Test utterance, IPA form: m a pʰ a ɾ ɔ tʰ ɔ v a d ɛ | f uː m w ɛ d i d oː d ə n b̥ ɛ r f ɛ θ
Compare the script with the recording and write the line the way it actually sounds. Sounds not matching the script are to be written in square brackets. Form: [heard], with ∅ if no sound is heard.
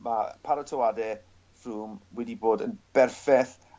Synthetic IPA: m a pʰ a ɾ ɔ tʰ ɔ [w] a d ɛ | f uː m w ɛ d i [b] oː d ə n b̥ ɛ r f ɛ θ

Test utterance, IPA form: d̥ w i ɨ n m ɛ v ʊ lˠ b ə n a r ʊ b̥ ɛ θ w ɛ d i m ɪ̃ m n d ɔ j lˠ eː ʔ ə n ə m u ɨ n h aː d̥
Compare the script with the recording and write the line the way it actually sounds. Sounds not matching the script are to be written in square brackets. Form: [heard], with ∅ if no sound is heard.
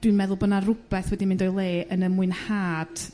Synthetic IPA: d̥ w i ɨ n m ɛ [ð] ʊ lˠ b ə n a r ʊ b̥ ɛ θ w ɛ d i m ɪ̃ [∅] n d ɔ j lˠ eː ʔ ə n ə m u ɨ n h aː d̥

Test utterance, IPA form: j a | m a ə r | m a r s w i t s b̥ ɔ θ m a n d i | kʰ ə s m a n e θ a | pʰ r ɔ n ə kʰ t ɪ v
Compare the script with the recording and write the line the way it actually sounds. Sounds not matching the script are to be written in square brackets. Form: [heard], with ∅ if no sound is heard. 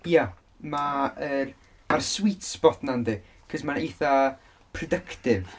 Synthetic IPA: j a | m a ə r | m a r s w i t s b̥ ɔ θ [n] a n d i | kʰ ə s m a n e θ a | pʰ r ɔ [d] ə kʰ t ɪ v

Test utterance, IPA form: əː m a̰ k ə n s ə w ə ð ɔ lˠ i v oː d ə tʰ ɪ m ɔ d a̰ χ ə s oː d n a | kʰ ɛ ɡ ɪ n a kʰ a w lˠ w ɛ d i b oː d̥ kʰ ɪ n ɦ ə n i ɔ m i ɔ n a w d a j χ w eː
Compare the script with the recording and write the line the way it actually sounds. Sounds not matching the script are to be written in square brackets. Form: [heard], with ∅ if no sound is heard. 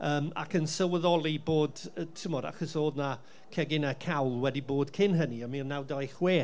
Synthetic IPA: əː m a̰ k ə n s ə w ə ð ɔ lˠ i [b] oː d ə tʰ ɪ m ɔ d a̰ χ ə s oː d n a | kʰ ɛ ɡ ɪ n a kʰ a w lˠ w ɛ d i b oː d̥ kʰ ɪ n ɦ ə n i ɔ m i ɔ n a w d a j χ w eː

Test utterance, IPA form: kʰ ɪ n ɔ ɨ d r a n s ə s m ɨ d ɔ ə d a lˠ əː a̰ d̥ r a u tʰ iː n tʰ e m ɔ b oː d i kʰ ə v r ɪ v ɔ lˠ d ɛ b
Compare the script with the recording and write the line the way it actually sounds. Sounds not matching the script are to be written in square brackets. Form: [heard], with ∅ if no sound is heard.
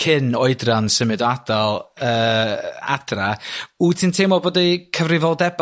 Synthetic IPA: kʰ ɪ n ɔ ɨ d r a n s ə [∅] m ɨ d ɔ [a] d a lˠ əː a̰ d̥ r a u tʰ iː n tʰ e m ɔ b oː d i kʰ ə v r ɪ v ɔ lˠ d ɛ b

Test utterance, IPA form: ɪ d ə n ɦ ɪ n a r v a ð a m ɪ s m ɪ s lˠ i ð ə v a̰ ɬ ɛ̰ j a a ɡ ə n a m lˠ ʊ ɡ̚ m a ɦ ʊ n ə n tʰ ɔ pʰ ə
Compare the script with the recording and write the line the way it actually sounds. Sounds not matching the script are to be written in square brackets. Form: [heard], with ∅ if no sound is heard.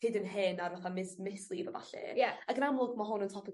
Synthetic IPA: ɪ d ə n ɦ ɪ n a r v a [θ] a m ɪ s m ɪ s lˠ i [v] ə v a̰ ɬ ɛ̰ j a a ɡ ə n a m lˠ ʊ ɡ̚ m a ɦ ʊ n ə n tʰ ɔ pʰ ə

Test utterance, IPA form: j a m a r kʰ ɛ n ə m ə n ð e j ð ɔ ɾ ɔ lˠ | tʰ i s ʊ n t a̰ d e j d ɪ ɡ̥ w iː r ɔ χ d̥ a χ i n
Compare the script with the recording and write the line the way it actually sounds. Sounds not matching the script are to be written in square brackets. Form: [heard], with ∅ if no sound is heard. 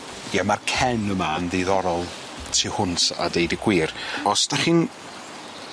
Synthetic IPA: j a m a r kʰ ɛ n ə m [a] n ð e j ð ɔ ɾ ɔ lˠ | tʰ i [h] ʊ n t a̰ d e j d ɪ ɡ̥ w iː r ɔ [s] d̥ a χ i n

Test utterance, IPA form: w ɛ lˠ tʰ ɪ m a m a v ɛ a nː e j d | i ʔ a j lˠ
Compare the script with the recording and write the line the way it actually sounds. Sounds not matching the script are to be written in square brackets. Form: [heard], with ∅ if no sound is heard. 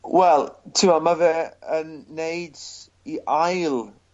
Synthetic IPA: w ɛ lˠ tʰ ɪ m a m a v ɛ [ə] nː e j d | i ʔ a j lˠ

